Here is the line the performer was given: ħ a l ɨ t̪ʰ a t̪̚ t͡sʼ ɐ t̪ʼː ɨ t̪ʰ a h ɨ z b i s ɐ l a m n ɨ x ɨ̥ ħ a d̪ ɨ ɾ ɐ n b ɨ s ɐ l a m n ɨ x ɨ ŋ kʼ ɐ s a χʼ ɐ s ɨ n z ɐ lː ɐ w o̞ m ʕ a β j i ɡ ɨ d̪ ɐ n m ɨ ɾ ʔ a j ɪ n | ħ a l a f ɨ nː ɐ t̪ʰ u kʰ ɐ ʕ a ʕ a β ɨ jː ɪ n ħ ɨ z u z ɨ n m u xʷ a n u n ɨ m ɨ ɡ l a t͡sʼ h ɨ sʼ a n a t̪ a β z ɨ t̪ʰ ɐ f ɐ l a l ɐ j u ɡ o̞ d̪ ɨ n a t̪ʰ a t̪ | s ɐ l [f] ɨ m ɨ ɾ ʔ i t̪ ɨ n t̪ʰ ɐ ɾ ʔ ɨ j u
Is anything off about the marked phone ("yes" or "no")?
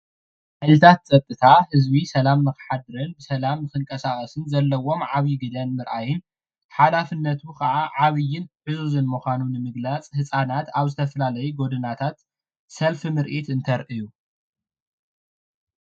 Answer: no